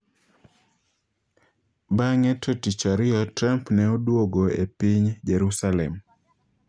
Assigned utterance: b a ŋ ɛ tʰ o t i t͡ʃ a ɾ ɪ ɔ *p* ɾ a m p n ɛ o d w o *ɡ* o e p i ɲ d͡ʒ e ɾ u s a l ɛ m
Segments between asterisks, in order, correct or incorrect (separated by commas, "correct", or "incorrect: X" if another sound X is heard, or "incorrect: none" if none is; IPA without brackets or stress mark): incorrect: t, correct